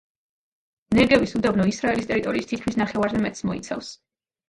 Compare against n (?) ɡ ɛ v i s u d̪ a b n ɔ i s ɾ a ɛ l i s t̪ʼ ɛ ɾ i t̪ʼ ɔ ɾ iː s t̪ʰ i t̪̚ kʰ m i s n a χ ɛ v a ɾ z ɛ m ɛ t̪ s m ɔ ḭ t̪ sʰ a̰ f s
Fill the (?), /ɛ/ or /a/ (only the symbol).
ɛ